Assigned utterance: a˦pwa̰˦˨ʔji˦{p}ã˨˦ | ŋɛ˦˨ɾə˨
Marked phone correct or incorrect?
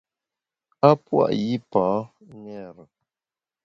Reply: correct